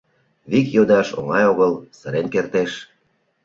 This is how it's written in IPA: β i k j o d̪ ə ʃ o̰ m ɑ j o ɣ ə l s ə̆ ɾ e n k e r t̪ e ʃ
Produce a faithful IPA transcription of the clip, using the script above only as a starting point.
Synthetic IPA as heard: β i k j o d̪ ɑ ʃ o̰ ŋ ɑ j o ɣ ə l s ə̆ ɾ e n k e r t̪ e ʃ